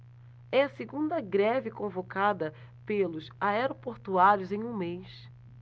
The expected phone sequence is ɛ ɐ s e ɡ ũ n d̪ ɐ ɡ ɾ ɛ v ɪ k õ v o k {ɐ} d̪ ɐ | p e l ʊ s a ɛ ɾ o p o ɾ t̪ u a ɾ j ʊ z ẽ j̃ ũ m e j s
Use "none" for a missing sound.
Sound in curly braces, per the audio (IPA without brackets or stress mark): a